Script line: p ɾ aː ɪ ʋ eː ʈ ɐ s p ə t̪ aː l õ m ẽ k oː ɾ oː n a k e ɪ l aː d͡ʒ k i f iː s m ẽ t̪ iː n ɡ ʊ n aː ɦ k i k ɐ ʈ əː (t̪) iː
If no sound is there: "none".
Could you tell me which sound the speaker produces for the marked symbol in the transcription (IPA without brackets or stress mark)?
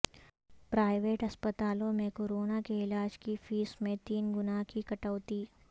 t̪